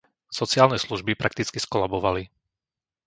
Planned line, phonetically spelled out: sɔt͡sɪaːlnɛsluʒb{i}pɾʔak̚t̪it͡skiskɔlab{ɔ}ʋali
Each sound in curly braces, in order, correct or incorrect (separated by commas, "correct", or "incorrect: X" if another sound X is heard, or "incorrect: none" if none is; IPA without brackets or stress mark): correct, correct